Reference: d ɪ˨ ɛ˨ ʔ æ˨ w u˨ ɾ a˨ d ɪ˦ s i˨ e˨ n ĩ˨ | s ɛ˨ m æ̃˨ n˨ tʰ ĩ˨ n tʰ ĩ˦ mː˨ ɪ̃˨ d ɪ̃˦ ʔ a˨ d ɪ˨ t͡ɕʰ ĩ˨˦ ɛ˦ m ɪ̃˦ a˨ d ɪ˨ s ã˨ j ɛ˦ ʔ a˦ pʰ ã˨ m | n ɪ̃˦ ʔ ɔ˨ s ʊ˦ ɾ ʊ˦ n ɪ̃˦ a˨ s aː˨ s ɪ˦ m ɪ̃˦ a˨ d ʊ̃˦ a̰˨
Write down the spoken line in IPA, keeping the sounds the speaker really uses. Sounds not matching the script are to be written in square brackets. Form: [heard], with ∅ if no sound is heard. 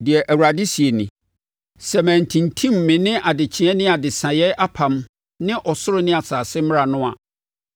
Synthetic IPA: d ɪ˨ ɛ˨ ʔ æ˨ w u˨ ɾ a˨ d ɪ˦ s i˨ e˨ n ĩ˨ | s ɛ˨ m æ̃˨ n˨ tʰ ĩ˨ n tʰ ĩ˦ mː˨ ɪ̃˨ [n] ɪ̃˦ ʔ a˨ d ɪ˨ t͡ɕʰ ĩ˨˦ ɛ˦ [n] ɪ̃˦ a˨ d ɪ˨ s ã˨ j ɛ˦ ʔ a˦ pʰ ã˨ m | n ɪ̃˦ ʔ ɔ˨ s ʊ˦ ɾ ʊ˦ n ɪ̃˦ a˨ s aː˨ s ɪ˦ m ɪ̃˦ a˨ [n] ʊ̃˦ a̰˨